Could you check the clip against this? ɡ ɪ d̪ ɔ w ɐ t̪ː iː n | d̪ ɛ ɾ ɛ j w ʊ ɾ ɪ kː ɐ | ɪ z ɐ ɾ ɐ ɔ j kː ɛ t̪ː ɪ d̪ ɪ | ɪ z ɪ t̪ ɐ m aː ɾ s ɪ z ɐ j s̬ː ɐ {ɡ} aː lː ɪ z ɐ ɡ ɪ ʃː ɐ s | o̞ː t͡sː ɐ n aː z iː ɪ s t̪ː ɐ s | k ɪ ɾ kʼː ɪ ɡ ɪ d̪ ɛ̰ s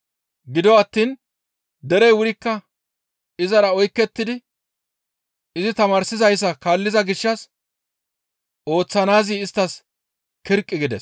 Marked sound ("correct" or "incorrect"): incorrect